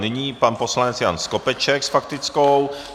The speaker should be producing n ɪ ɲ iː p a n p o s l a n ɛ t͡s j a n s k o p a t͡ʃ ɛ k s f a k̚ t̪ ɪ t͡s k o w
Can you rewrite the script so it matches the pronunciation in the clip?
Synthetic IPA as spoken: n ɪ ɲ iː p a n p o s l a n ɛ t͡s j a n s k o p ɛ t͡ʃ ɛ k s f a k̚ t̪ ɪ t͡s k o w